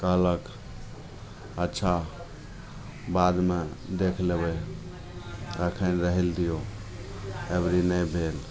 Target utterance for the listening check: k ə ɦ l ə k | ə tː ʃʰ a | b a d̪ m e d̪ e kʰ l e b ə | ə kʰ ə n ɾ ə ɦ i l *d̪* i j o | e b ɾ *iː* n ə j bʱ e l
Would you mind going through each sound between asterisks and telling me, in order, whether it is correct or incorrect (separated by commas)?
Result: correct, incorrect